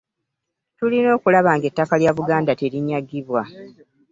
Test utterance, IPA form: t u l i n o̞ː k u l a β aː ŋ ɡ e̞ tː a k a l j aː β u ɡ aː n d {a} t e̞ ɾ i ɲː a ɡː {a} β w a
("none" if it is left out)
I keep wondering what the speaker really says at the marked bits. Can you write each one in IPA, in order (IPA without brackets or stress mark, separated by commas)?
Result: a, i